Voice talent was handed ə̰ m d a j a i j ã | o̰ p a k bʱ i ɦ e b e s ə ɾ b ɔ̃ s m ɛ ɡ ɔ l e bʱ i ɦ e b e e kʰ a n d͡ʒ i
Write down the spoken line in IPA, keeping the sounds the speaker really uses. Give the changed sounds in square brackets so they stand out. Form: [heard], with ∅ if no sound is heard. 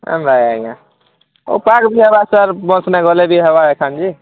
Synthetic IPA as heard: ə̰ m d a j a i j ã | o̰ p a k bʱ i ɦ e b [a] s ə ɾ b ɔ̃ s [n] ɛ ɡ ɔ l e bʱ i ɦ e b [a] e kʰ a n d͡ʒ i